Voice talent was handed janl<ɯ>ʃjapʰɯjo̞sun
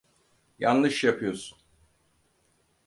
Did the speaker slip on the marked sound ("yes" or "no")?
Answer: no